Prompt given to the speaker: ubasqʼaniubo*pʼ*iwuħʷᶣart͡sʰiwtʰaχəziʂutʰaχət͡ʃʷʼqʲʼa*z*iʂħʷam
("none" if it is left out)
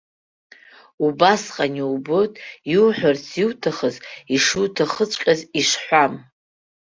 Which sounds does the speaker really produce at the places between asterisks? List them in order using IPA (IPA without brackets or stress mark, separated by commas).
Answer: tʼ, z